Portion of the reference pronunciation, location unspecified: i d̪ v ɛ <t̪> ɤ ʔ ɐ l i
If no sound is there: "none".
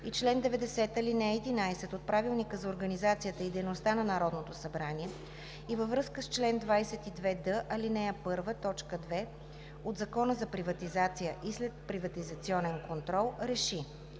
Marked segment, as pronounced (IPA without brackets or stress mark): d̪